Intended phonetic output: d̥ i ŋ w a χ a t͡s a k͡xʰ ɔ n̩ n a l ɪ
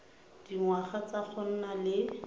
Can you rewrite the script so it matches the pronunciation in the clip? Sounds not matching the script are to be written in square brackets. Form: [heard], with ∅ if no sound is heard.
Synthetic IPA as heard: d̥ i ŋ w a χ a t͡s a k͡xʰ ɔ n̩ n a l ɪ